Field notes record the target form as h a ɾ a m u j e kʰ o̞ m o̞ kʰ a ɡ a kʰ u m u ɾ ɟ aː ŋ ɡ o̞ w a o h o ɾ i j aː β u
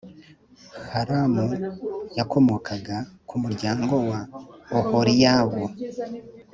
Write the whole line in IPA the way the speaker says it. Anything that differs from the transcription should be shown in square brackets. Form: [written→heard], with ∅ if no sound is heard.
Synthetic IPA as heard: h a ɾ a m u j [e→a] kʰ o̞ m o̞ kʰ a ɡ a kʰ u m u ɾ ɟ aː ŋ ɡ o̞ w a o h o ɾ i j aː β [u→o]